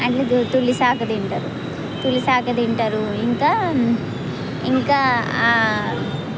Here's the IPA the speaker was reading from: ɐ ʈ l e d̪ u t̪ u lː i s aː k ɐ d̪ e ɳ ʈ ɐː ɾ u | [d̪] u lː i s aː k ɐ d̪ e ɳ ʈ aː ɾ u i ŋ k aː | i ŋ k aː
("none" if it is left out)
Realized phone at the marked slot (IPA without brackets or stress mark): t̪